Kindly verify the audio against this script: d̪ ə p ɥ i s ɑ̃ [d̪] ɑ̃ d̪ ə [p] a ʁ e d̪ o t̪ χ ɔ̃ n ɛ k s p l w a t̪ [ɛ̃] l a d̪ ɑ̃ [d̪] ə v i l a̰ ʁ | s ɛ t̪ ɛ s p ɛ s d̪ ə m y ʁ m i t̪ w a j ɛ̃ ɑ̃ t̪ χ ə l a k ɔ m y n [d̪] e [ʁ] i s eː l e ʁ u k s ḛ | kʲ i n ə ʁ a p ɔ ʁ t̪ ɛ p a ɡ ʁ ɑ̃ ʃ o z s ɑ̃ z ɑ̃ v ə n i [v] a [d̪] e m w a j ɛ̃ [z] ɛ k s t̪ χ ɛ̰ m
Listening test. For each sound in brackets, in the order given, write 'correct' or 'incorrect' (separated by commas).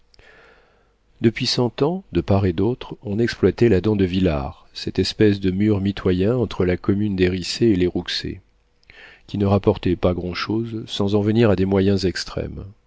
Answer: incorrect, correct, incorrect, correct, correct, correct, incorrect, correct, correct